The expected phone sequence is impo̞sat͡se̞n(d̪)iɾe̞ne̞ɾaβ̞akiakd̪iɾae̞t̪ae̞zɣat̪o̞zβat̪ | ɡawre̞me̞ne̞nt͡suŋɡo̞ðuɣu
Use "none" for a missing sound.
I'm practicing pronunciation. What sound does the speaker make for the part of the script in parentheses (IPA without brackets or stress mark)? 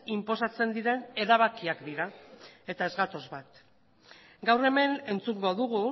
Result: d̪